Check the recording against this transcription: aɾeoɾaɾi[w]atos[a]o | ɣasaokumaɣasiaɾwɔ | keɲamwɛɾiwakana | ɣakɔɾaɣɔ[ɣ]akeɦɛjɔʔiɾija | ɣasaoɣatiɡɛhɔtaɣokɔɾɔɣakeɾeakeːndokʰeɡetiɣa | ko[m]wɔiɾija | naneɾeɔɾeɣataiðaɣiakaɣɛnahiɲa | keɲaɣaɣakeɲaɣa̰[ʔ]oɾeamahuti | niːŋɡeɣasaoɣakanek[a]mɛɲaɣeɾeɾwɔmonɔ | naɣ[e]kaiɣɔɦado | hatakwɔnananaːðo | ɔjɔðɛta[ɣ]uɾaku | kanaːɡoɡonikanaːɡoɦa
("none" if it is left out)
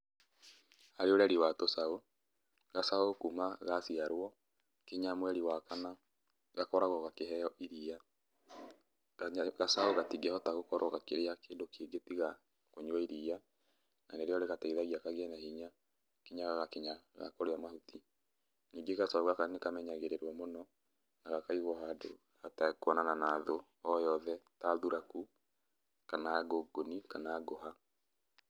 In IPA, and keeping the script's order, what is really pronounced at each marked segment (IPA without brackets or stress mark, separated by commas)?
w, a, ɣ, ɲ, k, a, a, ð